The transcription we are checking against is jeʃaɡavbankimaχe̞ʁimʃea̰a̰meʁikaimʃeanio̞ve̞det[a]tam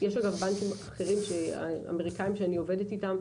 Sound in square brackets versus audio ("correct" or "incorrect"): incorrect